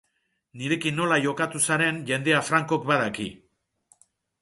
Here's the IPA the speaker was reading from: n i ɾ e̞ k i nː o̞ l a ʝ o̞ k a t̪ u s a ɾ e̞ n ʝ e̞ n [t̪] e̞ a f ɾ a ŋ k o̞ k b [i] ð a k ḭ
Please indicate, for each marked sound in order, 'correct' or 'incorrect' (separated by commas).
incorrect, incorrect